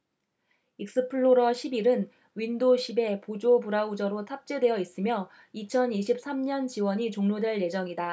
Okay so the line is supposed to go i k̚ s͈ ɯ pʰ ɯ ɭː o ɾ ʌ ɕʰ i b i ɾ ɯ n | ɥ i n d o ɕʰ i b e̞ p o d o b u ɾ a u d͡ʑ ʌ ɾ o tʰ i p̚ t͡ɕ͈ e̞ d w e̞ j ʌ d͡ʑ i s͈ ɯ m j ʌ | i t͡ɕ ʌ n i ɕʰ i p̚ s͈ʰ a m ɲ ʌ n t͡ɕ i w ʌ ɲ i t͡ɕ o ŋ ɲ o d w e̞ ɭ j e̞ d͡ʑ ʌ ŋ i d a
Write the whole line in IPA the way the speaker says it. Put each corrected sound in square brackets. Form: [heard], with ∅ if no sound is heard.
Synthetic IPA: i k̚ s͈ ɯ pʰ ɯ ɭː o ɾ ʌ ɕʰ i b i ɾ ɯ n | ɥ i n d o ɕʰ i b e̞ p o [d͡ʑ] o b u ɾ a u d͡ʑ ʌ ɾ o tʰ [a] p̚ t͡ɕ͈ e̞ d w e̞ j ʌ [∅] i s͈ ɯ m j ʌ | i [t͡ɕʰ] ʌ n i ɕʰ i p̚ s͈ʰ a m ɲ ʌ n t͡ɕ i w ʌ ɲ i t͡ɕ o ŋ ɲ o d w e̞ ɭ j e̞ d͡ʑ ʌ ŋ i d a